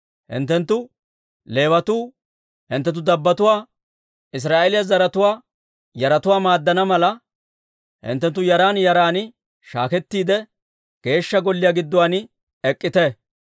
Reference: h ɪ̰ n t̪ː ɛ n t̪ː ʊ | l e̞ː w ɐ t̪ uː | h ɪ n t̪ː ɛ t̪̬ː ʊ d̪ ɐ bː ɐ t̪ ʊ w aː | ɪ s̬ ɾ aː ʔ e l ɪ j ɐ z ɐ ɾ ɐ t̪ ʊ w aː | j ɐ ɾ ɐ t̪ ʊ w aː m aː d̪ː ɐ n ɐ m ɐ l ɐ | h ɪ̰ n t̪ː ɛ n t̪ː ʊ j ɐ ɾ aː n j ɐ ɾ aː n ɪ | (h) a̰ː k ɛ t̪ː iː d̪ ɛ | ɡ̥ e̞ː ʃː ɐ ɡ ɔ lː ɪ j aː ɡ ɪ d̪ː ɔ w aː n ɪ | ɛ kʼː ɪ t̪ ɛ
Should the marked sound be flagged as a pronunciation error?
yes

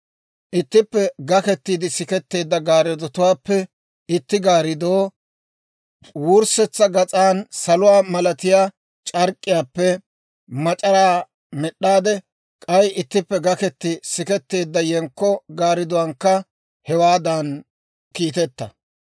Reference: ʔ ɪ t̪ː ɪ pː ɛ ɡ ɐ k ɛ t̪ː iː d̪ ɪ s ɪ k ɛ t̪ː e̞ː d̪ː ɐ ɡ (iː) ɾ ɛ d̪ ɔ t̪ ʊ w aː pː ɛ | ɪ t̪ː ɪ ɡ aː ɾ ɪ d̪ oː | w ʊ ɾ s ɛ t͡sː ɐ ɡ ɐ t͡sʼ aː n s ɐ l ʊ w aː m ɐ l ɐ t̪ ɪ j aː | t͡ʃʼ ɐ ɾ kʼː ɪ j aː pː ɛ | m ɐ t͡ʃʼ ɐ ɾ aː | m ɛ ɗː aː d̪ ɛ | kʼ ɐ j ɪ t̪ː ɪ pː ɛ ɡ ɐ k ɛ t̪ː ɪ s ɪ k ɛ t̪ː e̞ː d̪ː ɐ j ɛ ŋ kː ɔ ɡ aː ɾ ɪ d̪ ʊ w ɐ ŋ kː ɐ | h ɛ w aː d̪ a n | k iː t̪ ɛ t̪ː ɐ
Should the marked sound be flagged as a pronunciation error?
yes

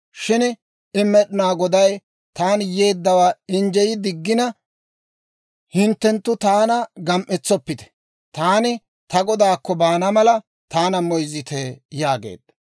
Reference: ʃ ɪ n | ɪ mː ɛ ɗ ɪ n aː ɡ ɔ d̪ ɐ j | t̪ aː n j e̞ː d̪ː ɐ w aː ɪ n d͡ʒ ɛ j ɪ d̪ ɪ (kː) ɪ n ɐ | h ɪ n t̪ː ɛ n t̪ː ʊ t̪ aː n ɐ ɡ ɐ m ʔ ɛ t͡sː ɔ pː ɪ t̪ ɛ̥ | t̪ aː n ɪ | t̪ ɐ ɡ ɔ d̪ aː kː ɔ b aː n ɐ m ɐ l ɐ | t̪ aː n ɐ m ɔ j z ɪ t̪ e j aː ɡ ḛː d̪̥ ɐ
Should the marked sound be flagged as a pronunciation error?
yes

